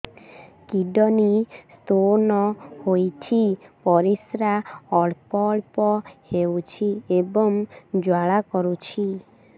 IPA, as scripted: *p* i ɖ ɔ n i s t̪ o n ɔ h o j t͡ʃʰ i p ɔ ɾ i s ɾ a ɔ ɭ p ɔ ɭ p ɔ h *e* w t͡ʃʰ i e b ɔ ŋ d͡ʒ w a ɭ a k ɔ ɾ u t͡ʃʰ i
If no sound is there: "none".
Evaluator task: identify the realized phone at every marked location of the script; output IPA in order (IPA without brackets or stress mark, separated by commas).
k, e